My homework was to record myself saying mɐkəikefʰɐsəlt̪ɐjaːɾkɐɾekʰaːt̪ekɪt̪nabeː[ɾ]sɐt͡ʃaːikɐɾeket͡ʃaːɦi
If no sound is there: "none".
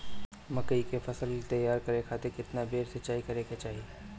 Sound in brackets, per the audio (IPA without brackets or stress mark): ɾ